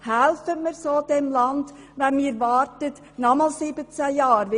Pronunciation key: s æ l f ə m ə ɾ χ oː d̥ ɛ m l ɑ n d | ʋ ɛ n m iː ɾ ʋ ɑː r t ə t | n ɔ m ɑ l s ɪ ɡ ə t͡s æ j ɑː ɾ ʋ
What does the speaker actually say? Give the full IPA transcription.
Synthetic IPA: h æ l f ə m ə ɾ s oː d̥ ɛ m l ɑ n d | ʋ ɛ n m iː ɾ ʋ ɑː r t ə t | n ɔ m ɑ l s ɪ b ə t͡s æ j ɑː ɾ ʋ